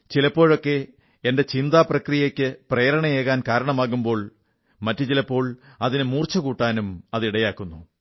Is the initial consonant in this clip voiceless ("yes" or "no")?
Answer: yes